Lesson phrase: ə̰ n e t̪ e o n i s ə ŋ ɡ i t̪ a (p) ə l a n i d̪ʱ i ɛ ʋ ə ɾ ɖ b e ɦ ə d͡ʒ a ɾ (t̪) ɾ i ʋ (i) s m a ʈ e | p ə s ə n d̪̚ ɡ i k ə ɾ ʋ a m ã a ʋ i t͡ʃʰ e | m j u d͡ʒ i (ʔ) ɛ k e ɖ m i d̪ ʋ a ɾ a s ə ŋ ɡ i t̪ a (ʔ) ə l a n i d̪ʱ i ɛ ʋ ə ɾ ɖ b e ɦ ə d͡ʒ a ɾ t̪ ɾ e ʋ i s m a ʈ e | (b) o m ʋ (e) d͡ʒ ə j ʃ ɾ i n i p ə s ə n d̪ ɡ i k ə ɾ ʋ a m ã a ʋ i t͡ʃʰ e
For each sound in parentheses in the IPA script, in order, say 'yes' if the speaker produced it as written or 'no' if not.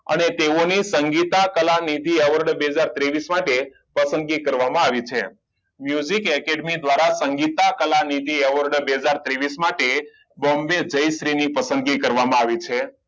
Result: no, yes, yes, no, no, yes, yes

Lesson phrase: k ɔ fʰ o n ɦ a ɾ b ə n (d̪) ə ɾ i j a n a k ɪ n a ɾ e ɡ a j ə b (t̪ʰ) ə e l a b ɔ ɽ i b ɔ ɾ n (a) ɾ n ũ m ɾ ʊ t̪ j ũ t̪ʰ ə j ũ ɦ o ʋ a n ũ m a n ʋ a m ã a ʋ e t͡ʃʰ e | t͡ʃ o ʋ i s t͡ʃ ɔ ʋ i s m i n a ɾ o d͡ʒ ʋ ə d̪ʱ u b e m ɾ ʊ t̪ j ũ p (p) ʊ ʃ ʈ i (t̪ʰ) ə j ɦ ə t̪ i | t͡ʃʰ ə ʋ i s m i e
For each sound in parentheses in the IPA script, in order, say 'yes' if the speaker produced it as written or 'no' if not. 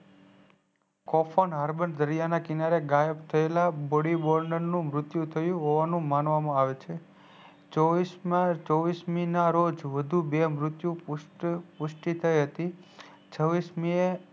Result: yes, yes, no, yes, yes

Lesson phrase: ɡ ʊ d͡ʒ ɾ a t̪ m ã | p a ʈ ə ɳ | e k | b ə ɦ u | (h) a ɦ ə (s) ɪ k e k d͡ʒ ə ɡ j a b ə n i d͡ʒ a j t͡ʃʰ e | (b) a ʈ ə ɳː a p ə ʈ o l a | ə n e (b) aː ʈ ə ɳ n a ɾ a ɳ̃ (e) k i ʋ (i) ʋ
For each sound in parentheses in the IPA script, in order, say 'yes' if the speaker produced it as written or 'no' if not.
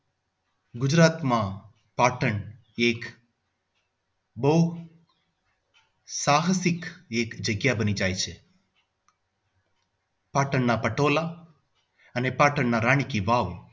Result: no, yes, no, no, no, no

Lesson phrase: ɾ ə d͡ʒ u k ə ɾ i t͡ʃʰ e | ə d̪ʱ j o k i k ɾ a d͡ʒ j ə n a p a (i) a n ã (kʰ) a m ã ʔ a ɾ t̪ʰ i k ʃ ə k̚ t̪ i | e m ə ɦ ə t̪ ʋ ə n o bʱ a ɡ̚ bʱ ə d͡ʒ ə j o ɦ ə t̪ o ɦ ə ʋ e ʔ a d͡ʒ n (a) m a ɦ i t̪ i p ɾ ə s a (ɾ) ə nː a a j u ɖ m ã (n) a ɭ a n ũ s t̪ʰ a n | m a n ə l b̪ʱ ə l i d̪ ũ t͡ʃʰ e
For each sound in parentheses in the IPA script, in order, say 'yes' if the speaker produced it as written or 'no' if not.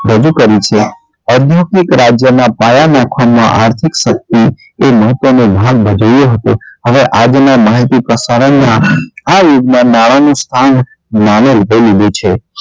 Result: no, yes, yes, yes, yes

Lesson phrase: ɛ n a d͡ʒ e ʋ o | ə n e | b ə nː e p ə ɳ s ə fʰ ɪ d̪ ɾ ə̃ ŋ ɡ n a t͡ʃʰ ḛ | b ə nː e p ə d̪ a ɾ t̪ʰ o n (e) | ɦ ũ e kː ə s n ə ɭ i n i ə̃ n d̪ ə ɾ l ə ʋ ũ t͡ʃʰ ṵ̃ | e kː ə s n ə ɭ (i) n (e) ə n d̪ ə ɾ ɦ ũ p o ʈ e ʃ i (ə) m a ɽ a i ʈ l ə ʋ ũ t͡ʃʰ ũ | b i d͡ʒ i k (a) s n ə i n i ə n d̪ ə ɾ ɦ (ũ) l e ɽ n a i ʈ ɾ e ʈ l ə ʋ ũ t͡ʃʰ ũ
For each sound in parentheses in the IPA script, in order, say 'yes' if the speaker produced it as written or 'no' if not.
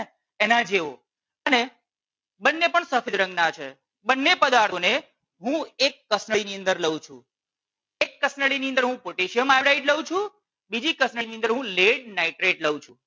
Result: yes, yes, no, yes, no, yes

